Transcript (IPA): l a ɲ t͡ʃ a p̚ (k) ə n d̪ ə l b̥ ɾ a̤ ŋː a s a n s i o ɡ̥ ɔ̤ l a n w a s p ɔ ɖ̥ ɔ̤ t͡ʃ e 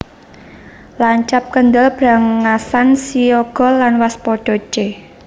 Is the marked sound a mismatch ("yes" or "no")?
no